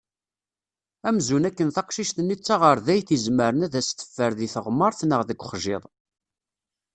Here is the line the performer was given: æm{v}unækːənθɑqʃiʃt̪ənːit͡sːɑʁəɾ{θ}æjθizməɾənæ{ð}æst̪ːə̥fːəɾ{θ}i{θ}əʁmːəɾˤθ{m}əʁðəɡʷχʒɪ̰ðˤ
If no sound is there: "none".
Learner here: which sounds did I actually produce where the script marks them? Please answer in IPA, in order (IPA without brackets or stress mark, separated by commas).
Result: z, ð, ð, ð, θ, n